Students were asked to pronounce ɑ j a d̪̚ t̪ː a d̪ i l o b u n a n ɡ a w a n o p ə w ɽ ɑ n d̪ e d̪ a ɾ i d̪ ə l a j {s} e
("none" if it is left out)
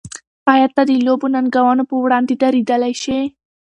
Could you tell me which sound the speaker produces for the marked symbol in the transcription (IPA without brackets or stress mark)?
ʃ